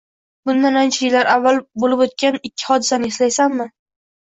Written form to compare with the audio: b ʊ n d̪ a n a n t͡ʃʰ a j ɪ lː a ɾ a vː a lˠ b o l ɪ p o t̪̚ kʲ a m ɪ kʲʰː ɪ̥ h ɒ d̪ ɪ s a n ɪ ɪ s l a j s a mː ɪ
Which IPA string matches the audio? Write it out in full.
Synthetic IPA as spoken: b ʊ n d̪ a n a n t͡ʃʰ a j ɪ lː a ɾ a vː a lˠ b o l ɪ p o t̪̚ kʲ a n ɪ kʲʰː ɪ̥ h ɒ d̪ ɪ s a n ɪ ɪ s l a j s a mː ɪ